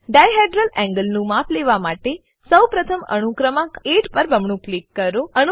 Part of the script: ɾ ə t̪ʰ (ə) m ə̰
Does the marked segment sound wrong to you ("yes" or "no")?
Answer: no